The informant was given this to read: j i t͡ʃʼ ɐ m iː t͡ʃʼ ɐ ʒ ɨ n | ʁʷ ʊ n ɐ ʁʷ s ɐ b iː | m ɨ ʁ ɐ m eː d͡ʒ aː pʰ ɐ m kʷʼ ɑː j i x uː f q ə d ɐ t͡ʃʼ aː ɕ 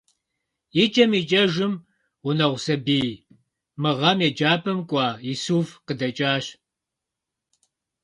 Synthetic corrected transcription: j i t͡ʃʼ ɐ m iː t͡ʃʼ ɐ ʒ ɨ m | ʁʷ ʊ n ɐ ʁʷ s ɐ b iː | m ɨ ʁ ɐ m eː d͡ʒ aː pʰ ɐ m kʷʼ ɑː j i s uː f q ə d ɐ t͡ʃʼ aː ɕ